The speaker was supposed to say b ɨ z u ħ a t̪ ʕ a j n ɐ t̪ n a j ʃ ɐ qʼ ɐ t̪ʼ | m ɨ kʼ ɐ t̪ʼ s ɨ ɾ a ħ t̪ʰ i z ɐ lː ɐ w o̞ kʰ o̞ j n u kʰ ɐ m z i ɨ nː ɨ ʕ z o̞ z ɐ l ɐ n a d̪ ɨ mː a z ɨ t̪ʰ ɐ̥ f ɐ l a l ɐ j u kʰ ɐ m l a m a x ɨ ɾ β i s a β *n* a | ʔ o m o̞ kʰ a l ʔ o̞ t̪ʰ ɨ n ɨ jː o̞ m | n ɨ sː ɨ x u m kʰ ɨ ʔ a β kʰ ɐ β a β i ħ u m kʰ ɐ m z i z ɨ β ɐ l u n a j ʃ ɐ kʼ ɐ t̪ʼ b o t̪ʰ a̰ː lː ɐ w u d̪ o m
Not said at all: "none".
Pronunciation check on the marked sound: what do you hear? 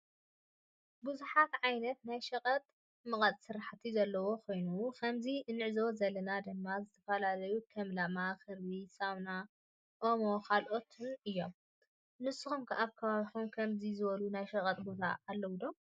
n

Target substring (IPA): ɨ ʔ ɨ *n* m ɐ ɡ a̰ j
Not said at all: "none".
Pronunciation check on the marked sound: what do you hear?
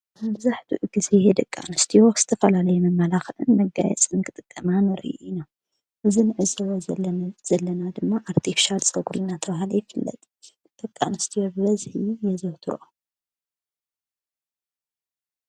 n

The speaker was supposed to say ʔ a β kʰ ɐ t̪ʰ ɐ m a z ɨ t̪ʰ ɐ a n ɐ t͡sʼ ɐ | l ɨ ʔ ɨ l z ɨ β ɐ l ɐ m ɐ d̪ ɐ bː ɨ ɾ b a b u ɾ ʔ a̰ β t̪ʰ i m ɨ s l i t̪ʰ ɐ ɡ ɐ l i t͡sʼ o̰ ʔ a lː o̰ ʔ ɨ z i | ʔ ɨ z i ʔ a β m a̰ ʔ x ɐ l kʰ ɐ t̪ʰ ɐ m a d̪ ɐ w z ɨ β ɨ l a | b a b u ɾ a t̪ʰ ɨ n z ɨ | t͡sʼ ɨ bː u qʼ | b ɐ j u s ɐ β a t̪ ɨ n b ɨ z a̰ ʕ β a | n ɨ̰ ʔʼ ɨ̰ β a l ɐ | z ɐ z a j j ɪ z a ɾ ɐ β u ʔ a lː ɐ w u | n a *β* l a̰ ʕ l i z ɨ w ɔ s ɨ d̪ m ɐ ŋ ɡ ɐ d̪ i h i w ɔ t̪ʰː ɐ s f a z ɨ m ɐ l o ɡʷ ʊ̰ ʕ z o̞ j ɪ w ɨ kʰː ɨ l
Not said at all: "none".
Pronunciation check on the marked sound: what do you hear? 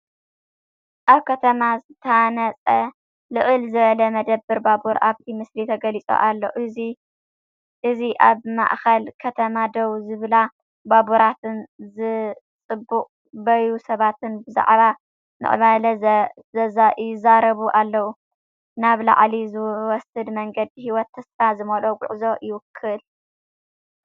β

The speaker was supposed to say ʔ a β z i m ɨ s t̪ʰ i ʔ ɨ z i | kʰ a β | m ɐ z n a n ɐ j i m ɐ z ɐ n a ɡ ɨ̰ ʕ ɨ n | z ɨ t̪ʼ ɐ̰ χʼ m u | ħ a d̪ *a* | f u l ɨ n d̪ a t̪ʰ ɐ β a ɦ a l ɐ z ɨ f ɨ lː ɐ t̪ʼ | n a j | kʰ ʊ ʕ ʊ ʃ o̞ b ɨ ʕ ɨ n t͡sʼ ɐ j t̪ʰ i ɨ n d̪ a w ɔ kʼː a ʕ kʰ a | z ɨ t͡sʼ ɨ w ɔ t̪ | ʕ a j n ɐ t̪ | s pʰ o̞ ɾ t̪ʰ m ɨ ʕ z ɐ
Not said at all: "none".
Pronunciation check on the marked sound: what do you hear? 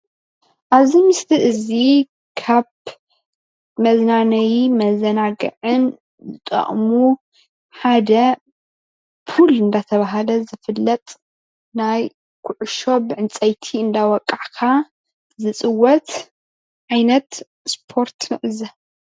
ɐ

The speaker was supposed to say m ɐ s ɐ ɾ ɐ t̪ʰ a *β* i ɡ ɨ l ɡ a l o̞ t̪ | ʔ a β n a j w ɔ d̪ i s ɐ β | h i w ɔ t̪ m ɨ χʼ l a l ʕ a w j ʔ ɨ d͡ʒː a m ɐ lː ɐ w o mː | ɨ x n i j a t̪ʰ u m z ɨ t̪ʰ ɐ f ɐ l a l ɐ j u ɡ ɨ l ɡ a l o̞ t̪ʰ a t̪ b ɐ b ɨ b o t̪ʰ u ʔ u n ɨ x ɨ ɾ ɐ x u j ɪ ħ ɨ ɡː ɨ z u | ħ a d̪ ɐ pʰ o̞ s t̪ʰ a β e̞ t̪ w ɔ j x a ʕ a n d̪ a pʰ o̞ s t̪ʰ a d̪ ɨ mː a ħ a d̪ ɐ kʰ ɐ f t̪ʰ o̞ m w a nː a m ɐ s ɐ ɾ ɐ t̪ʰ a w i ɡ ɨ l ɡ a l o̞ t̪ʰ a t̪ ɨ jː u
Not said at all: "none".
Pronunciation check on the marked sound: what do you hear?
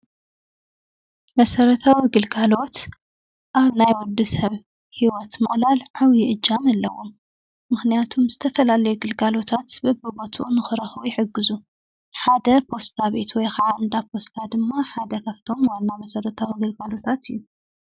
w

